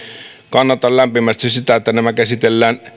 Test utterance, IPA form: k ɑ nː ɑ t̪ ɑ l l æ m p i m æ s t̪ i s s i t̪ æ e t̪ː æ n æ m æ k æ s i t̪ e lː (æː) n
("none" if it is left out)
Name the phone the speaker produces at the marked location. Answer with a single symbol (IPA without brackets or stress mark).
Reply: æː